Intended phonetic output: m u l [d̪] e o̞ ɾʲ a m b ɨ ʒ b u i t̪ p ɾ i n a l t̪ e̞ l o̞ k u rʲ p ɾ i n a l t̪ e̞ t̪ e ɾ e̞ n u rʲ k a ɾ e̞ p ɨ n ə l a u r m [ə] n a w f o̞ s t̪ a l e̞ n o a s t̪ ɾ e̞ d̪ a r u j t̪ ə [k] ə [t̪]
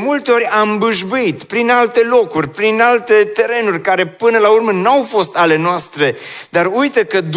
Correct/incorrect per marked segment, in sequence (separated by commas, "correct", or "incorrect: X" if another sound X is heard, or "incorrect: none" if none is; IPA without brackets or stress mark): incorrect: t̪, correct, correct, incorrect: d̪